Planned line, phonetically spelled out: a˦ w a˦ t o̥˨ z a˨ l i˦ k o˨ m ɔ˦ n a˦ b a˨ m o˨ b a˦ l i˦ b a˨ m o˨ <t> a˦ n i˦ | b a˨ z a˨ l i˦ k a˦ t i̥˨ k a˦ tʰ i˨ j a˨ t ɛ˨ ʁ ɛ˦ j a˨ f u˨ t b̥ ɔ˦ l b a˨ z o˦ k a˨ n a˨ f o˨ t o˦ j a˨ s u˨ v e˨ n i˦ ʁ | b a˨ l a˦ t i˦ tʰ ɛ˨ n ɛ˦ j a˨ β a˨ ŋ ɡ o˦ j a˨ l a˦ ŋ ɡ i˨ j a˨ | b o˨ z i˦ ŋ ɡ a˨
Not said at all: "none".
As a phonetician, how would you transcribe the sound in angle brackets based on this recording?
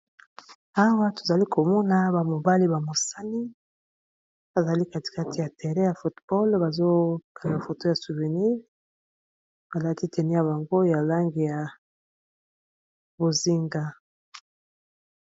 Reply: s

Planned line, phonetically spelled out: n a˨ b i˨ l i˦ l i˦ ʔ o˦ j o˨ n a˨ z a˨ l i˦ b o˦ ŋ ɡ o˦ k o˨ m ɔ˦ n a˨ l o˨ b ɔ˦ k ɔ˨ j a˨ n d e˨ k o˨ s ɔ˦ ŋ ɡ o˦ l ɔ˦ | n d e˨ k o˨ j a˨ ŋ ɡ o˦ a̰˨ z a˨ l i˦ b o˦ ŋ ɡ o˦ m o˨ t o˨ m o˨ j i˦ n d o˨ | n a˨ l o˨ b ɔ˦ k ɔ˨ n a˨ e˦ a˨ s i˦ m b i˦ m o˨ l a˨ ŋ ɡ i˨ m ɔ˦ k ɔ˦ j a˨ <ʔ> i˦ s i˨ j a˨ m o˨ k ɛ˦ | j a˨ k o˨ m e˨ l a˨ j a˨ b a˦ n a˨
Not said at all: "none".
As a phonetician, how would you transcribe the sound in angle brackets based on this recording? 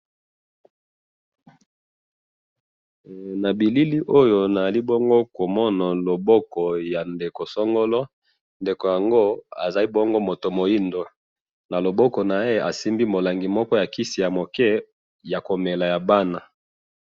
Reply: k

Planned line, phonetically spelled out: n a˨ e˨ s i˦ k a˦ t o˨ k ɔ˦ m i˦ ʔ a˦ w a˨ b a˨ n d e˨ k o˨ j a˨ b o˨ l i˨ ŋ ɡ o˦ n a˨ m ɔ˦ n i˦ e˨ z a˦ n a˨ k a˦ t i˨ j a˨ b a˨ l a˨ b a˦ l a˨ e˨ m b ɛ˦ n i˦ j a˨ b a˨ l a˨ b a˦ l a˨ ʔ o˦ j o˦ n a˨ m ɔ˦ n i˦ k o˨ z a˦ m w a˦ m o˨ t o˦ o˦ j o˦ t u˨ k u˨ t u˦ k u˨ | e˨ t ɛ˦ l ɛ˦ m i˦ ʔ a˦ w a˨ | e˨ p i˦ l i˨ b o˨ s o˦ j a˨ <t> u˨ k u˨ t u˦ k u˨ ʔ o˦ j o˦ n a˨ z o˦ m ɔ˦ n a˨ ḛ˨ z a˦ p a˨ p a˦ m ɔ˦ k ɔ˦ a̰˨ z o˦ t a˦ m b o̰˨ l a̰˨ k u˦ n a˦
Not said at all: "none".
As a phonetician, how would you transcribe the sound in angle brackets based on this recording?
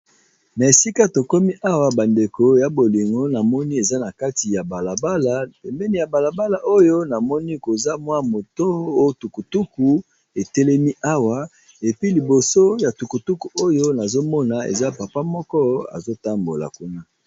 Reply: t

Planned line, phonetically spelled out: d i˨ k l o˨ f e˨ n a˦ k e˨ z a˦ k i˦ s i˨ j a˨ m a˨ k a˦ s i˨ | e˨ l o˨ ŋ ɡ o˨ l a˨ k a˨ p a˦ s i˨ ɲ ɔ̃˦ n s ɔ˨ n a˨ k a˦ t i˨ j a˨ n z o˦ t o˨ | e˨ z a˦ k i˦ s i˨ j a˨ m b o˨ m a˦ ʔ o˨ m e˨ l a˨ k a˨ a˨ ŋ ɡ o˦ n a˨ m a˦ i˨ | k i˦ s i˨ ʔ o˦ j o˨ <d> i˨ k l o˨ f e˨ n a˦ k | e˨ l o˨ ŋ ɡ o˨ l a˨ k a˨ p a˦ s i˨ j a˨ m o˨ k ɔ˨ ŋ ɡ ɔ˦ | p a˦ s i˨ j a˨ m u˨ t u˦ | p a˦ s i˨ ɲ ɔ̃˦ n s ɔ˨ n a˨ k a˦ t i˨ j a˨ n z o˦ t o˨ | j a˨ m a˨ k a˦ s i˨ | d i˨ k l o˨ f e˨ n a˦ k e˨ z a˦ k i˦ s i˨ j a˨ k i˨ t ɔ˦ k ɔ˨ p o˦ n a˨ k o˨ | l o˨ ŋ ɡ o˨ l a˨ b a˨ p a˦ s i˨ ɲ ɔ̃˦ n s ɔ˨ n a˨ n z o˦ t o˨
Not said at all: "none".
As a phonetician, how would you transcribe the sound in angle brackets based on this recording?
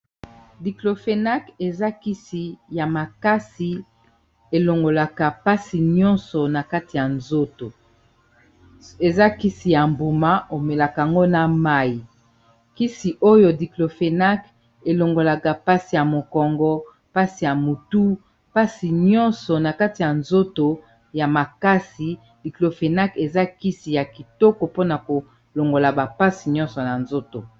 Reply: d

